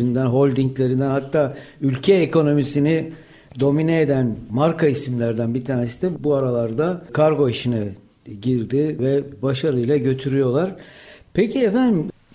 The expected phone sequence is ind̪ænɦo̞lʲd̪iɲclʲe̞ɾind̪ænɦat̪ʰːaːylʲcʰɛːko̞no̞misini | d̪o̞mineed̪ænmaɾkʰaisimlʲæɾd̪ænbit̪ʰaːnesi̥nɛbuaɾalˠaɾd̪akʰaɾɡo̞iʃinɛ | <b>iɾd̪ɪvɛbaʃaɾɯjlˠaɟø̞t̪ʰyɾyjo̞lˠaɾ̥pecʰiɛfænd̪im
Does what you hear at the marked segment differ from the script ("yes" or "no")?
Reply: yes